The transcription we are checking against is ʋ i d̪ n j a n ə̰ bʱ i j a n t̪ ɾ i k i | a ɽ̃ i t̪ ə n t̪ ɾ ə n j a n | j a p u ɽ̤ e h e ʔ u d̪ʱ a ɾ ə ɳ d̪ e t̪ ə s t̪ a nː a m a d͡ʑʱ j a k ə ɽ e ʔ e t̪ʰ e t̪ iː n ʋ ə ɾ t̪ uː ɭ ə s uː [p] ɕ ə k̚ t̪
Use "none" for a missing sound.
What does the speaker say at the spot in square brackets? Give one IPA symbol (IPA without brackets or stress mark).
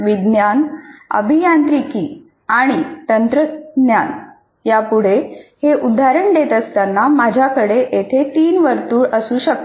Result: none